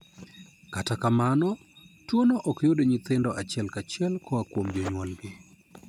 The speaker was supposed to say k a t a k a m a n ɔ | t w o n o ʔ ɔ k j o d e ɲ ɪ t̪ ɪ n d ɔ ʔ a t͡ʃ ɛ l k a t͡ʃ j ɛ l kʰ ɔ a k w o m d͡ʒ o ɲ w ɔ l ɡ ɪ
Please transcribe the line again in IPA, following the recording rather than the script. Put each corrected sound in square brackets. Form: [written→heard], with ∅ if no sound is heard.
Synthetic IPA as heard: k a t a k a m a n ɔ | t w o n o ʔ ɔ k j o d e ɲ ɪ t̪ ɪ n d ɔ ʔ a t͡ʃ ɛ l k a t͡ʃ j ɛ l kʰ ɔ a k w o m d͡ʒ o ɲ w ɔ l ɡ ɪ